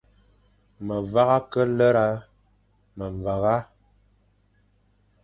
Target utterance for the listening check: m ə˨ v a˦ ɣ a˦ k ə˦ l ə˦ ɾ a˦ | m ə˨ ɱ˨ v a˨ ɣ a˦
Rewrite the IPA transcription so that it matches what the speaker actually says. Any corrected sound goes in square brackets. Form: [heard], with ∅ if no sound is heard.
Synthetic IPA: m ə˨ v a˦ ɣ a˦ k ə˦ l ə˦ ɾ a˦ | m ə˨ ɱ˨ v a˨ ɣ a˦